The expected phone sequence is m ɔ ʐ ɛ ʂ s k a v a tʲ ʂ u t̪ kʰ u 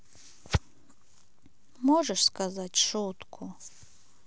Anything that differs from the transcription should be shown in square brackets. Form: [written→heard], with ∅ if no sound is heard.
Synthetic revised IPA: m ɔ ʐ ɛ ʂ s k a [v→z] a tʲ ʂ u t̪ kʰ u